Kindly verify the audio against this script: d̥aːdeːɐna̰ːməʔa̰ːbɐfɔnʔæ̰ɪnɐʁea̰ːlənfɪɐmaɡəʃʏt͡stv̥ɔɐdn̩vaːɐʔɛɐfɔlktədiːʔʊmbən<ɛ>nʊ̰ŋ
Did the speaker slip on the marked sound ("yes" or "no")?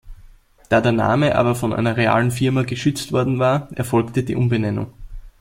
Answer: no